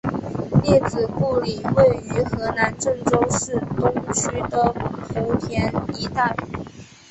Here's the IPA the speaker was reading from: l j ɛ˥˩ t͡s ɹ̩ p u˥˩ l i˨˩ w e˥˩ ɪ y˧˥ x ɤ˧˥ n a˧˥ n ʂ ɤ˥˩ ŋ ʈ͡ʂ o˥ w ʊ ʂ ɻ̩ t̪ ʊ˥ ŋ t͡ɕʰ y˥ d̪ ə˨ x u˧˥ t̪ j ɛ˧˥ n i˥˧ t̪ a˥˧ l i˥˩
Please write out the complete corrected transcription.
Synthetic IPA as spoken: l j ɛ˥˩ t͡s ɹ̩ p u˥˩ l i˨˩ w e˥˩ ɪ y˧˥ x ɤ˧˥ n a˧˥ n ʈ͡ʂ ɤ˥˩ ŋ ʈ͡ʂ o˥ ʊ ʂ ɻ̩ t̪ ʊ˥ ŋ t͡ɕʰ y˥ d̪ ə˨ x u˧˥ t̪ʰ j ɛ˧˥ n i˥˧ t̪ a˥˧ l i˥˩